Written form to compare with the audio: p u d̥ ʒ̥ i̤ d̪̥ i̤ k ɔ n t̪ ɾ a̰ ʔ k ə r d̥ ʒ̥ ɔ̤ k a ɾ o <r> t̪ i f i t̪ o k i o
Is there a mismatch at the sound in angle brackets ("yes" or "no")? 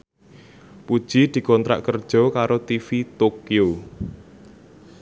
yes